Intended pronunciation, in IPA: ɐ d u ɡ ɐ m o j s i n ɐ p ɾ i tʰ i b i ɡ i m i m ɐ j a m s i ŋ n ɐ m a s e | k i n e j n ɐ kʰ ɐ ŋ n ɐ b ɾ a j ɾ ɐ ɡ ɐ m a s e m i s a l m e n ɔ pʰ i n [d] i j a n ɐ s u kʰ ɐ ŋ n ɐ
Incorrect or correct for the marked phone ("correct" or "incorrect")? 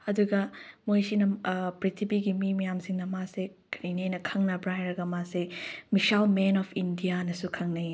correct